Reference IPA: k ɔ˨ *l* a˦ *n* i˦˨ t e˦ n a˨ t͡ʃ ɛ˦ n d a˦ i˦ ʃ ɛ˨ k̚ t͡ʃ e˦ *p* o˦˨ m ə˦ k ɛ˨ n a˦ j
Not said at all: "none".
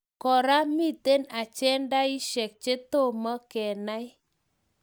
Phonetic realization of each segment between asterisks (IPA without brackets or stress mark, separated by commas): ɾ, m, t